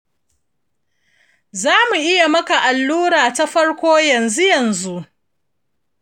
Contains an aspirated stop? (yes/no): no